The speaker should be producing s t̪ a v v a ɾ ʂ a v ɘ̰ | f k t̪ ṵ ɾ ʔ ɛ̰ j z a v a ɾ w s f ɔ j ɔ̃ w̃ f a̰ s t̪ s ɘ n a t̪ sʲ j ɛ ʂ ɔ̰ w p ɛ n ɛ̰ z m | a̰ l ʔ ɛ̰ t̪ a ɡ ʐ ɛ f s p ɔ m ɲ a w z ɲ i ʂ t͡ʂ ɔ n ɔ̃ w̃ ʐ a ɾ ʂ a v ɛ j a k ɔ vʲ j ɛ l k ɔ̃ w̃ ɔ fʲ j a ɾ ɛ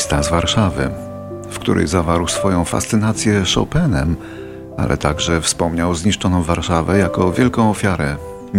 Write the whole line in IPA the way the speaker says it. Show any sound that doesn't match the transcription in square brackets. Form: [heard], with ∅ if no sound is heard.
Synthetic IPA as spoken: s t̪ a [z] v a ɾ ʂ a v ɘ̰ | f k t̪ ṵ ɾ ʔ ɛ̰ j z a v a ɾ w s f ɔ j ɔ̃ w̃ f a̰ s t̪ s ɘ n a t̪ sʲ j ɛ ʂ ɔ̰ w p ɛ n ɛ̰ [∅] m | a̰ l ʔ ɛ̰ t̪ a ɡ ʐ ɛ f s p ɔ m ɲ a w z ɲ i ʂ t͡ʂ ɔ n ɔ̃ w̃ [v] a ɾ ʂ a v ɛ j a k ɔ vʲ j ɛ l k ɔ̃ w̃ ɔ fʲ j a ɾ ɛ